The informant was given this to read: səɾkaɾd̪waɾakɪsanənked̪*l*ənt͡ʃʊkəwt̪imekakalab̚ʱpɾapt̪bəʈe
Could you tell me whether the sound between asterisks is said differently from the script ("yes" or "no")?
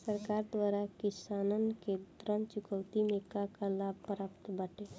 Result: yes